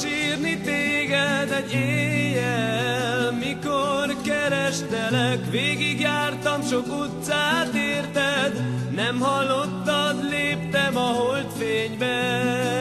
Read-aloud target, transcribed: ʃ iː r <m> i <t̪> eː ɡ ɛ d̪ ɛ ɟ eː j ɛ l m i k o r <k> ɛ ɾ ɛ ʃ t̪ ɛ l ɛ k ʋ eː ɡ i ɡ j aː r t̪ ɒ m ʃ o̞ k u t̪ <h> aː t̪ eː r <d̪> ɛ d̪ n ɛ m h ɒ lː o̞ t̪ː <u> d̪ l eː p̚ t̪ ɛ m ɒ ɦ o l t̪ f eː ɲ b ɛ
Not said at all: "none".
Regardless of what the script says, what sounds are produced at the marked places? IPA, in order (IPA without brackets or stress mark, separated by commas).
n, t̪, k, s, t̪, ɒ